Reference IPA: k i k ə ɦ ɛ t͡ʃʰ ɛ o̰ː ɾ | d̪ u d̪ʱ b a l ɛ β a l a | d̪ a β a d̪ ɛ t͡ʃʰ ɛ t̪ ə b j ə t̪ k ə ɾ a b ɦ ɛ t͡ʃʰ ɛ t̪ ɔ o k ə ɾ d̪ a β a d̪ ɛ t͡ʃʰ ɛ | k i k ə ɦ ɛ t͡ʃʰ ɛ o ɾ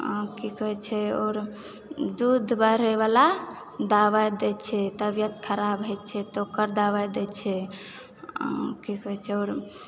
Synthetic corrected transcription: k i k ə ɦ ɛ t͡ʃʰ ɛ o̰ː ɾ | d̪ u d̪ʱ b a ɾ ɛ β a l a | d̪ a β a d̪ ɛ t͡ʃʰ ɛ t̪ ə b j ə t̪ kʰ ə ɾ a b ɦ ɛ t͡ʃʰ ɛ t̪ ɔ o k ə ɾ d̪ a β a d̪ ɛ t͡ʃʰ ɛ | k i k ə ɦ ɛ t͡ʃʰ ɛ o ɾ